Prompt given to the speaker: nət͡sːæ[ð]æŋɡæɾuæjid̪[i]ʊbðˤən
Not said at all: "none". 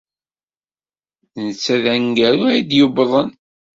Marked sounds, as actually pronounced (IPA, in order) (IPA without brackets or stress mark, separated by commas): ð, j